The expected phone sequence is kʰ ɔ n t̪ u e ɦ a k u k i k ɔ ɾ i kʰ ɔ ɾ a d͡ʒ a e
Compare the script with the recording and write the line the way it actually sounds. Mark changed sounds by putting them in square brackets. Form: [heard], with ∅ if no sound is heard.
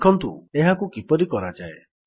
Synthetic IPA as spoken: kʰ ɔ n t̪ u e ɦ a k u k i [p] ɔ ɾ i [k] ɔ ɾ a d͡ʒ a e